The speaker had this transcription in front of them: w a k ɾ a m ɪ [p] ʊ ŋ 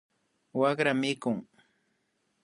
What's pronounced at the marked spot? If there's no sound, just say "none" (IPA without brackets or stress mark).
k